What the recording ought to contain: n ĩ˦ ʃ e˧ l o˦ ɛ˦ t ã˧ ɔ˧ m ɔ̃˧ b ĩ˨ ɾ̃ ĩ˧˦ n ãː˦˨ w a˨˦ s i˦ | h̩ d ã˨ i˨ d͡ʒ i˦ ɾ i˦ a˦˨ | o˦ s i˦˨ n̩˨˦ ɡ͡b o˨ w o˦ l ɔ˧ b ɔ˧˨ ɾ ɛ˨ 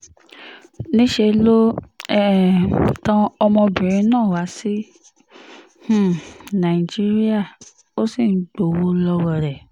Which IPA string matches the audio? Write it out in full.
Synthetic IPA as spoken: n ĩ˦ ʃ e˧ l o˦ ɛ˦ t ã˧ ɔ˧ m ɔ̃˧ b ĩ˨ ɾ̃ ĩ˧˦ n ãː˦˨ w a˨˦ s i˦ | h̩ n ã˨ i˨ d͡ʒ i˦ ɾ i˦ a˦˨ | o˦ s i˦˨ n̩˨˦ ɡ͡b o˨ w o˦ l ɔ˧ w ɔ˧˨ ɾ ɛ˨